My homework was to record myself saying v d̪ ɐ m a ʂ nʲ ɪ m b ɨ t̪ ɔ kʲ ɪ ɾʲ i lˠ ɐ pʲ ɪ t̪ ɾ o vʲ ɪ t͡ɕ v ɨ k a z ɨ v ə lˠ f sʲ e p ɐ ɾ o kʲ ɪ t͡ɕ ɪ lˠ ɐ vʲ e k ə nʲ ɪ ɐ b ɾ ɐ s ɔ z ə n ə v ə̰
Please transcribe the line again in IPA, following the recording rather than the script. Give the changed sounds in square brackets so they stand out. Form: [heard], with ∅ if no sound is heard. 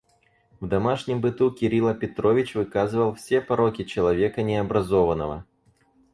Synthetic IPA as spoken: v d̪ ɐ m a ʂ nʲ ɪ m b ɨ t̪ [u] kʲ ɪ ɾʲ i lˠ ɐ pʲ ɪ t̪ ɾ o vʲ ɪ t͡ɕ v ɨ k a z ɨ v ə lˠ f sʲ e p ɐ ɾ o kʲ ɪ t͡ɕ ɪ lˠ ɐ vʲ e k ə nʲ ɪ ɐ b ɾ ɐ [z] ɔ [v] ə n ə v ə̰